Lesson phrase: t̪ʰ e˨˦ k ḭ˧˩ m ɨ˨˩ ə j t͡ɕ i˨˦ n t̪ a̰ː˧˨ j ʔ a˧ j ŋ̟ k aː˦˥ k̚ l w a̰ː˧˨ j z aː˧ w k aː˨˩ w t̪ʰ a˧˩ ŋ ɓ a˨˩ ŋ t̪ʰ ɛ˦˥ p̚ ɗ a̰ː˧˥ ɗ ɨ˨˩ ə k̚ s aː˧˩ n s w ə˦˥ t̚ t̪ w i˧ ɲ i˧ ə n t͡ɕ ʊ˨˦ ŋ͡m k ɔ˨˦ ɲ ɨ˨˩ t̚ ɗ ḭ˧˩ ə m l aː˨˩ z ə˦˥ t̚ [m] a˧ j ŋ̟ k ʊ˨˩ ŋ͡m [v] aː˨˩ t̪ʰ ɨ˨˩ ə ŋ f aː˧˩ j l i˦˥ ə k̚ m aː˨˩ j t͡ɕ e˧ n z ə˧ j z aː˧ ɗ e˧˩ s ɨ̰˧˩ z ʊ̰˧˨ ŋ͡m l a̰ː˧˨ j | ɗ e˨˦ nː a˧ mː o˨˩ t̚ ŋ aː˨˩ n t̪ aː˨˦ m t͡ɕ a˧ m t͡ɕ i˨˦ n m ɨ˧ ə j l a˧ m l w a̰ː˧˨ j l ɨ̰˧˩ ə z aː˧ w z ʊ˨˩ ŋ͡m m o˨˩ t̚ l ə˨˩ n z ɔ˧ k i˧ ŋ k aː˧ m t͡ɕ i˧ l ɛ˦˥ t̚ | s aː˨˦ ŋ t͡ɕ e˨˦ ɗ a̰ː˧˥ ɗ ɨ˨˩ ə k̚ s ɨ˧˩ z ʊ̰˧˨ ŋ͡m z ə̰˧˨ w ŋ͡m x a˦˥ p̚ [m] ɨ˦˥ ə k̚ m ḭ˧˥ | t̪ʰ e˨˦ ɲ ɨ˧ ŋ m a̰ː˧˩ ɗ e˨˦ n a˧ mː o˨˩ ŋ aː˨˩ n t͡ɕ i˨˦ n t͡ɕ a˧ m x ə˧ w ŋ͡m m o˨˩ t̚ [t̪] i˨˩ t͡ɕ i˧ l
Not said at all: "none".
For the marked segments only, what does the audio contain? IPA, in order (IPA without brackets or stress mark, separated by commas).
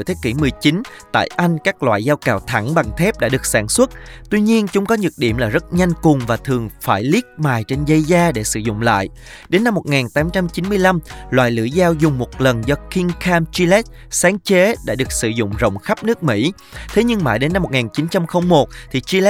ɲ, v, n, t̪ʰ